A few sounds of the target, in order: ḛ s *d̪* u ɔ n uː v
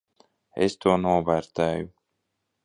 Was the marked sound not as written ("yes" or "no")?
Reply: yes